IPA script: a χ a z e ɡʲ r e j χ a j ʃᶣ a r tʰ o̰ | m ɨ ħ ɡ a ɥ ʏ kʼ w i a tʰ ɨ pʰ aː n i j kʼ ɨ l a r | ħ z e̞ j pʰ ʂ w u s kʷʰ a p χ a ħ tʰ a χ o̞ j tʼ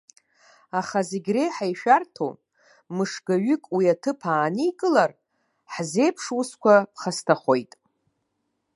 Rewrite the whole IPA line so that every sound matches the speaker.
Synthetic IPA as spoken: a χ a z e ɡʲ r e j ħ a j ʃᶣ a r tʰ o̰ | m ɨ ʂ ɡ a ɥ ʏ kʼ w i a tʰ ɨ pʰ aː n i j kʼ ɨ l a r | ħ z e̞ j pʰ ʂ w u s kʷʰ a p χ a s tʰ a χ o̞ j tʼ